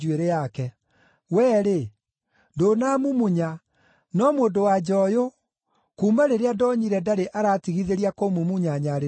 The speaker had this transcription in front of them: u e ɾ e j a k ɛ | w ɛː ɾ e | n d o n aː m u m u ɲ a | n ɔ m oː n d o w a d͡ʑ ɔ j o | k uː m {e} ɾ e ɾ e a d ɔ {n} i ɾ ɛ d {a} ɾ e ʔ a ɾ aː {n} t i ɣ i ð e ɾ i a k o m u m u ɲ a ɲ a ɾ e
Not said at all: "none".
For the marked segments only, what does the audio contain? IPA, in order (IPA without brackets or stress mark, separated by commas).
a, ɲ, a, none